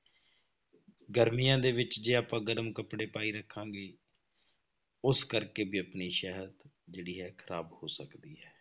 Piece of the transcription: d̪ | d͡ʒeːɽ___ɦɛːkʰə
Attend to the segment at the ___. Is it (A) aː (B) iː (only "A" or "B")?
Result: B